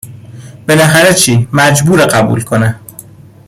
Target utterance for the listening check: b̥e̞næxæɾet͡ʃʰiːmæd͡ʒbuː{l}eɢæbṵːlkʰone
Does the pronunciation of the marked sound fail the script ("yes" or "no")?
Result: yes